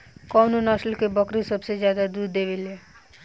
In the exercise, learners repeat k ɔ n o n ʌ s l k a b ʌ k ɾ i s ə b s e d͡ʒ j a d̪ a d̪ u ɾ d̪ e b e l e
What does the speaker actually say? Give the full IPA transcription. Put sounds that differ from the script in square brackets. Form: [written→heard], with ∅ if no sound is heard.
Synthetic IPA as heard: k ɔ n o n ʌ s l k [a→e] b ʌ k ɾ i s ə b s e d͡ʒ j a d̪ a d̪ u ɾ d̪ e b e l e

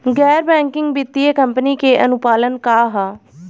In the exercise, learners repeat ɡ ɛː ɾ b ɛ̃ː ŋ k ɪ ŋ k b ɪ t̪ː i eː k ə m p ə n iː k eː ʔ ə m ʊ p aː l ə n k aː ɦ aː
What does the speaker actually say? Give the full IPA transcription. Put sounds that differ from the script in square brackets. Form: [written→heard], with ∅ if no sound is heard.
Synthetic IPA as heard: ɡ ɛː ɾ b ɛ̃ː ŋ k ɪ ŋ [k→ɡ] b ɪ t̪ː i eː k ə m p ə n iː k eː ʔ ə [m→n] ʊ p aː l ə n k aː ɦ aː

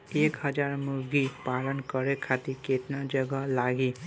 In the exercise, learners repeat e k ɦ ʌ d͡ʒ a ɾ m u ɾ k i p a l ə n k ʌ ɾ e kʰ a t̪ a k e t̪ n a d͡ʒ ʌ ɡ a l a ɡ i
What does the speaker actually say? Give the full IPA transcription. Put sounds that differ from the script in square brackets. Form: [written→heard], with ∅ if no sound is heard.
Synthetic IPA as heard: e k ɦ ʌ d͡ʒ a ɾ m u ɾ [k→ɡ] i p a l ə n k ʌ ɾ e kʰ a t̪ [a→i] k e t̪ n a d͡ʒ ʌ ɡ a l a ɡ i

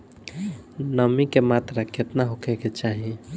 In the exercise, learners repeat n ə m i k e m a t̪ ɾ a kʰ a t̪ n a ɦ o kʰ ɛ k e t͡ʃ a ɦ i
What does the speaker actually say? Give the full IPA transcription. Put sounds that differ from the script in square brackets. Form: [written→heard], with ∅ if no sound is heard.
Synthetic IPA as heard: n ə m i k e m a t̪ ɾ a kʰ [a→e] t̪ n a ɦ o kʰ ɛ k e t͡ʃ a ɦ i

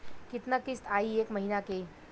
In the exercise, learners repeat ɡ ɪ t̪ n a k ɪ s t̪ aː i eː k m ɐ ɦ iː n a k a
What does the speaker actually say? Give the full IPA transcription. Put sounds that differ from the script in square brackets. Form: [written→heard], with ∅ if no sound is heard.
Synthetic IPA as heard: [ɡ→k] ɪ t̪ n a k ɪ s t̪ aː i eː k m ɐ ɦ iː n a k [a→e]

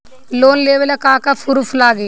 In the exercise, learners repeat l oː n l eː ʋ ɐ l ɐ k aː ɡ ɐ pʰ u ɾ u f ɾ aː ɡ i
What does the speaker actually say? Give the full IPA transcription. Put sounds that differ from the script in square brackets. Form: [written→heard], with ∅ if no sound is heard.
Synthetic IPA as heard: l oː n l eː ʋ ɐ l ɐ k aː [ɡ→k] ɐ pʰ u ɾ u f [ɾ→l] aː ɡ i

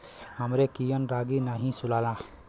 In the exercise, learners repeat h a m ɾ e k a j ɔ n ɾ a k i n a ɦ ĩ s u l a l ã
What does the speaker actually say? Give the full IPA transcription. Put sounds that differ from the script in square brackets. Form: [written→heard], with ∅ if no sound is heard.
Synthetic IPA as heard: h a m ɾ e k [a→i] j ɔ n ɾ a [k→ɡ] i n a ɦ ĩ s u l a l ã

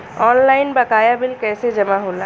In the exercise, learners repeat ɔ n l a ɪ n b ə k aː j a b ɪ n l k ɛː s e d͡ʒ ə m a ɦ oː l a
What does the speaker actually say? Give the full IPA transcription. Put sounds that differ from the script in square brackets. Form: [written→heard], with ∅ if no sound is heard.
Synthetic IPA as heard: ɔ n l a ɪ n b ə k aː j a b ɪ [n→∅] l k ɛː s e d͡ʒ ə m a ɦ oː l a

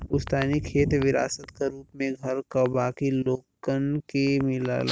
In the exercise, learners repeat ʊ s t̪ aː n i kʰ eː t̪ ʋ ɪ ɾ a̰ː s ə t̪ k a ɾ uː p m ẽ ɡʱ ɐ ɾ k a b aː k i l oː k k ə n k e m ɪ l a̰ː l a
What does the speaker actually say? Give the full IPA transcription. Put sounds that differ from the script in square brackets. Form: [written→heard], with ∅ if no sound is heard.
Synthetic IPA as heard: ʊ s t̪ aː n i kʰ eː t̪ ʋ ɪ ɾ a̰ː s ə t̪ k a ɾ uː p m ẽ ɡʱ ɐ ɾ k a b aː k i l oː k k ə n k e m ɪ l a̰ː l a

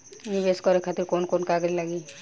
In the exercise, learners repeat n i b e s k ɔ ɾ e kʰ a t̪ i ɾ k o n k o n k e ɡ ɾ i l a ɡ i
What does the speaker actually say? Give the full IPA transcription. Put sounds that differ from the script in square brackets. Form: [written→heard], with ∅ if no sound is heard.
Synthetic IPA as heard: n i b e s k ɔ ɾ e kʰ a t̪ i ɾ k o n k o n k [e→a] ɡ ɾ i l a ɡ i

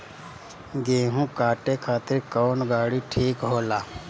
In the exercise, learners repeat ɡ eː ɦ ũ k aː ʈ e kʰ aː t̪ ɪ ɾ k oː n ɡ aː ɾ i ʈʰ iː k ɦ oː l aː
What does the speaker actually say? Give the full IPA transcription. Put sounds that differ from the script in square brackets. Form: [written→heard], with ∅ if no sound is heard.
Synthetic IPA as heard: ɡ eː ɦ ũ k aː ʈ e kʰ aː t̪ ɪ ɾ k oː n ɡ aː [ɾ→ɽ] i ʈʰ iː k ɦ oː l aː

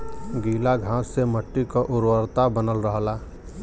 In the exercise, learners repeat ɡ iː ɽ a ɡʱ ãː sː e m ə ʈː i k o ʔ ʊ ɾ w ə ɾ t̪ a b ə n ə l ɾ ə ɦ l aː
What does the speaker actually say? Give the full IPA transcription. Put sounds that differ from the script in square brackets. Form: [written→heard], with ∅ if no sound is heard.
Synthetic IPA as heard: ɡ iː [ɽ→l] a ɡʱ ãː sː e m ə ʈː i k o ʔ ʊ ɾ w ə ɾ t̪ a b ə n ə l ɾ ə ɦ l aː

